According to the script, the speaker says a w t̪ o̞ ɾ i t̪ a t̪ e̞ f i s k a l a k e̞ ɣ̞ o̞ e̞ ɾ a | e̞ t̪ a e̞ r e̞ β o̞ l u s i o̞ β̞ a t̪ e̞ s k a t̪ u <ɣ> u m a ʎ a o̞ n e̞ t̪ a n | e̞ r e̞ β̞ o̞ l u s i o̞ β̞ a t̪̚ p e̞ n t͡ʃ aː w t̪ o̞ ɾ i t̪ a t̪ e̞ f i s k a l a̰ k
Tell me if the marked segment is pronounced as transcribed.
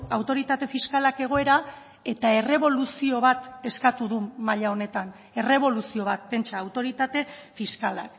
no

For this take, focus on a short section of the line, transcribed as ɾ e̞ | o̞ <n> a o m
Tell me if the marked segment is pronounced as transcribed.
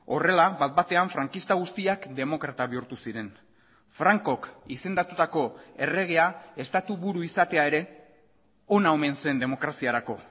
yes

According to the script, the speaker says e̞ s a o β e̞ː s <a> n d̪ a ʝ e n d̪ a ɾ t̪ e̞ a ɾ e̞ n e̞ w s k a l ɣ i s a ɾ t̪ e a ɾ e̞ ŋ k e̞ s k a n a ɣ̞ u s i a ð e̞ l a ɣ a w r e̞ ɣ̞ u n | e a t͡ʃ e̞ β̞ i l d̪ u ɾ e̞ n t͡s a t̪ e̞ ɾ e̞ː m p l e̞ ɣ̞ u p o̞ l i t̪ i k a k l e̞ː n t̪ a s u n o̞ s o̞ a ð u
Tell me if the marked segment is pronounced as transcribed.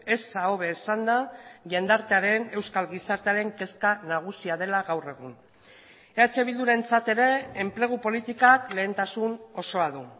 yes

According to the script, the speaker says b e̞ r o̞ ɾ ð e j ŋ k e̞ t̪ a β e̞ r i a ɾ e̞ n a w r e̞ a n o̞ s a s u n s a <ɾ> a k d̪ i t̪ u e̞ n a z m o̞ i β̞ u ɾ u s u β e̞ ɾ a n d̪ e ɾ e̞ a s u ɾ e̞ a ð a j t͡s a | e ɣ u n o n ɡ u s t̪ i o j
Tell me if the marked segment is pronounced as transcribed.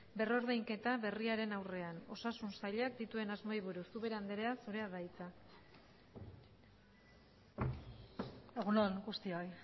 no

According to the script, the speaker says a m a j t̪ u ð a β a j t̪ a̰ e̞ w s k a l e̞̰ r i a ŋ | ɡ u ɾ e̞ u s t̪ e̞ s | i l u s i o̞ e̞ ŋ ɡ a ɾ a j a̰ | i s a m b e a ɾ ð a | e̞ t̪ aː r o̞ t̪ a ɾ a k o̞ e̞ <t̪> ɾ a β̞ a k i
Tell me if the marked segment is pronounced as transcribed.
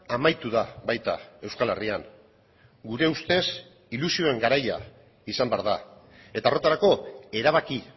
no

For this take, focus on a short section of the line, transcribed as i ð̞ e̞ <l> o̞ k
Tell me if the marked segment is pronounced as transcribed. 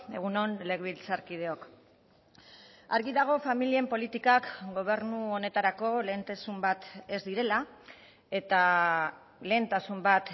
no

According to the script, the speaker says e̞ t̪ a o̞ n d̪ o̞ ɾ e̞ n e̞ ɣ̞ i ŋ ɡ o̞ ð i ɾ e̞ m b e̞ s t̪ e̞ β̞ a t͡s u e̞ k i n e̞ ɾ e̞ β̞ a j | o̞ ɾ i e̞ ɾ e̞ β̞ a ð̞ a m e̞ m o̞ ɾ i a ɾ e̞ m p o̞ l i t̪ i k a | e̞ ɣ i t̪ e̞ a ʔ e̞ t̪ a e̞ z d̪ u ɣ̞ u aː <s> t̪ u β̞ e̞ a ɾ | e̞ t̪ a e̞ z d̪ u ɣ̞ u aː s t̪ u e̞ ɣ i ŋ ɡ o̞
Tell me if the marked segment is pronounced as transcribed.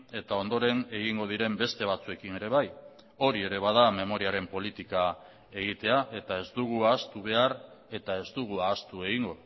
yes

